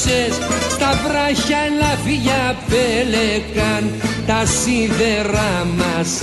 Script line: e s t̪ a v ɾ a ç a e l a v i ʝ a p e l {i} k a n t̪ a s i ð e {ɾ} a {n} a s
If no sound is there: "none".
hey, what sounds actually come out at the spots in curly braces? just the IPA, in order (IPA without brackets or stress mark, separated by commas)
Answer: e, ɾ, m